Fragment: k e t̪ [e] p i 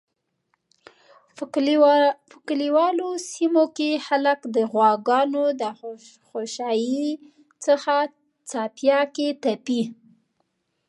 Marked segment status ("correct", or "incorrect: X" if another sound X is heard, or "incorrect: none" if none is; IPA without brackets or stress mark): incorrect: a